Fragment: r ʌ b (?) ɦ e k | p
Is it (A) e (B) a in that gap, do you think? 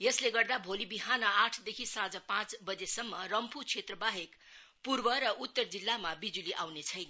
B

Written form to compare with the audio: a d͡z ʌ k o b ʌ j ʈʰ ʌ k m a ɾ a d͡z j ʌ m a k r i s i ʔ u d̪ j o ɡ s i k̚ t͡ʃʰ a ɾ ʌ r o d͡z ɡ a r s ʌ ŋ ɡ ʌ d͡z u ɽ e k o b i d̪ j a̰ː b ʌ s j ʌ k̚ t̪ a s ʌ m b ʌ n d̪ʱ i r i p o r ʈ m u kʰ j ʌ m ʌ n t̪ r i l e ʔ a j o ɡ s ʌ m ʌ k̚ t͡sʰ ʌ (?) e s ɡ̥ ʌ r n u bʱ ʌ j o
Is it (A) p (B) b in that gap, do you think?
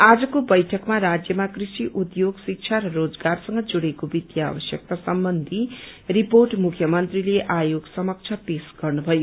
A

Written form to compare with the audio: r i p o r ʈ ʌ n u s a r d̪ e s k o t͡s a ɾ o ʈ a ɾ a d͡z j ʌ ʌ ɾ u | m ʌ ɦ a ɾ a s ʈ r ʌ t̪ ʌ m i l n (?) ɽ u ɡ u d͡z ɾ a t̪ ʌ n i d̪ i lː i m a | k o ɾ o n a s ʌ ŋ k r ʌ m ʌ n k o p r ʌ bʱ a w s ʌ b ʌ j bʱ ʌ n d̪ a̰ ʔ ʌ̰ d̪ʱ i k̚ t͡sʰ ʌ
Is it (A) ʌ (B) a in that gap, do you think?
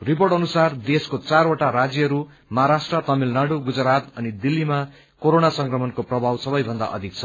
B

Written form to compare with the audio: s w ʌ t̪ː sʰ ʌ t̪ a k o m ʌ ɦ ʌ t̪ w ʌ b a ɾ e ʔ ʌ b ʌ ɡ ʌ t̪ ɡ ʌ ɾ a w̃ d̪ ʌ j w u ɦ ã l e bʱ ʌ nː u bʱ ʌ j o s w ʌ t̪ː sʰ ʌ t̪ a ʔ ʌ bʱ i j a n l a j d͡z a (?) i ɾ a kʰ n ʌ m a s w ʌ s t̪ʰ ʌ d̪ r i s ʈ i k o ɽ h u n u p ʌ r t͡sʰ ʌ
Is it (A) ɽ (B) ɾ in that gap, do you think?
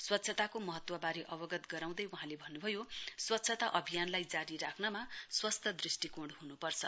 B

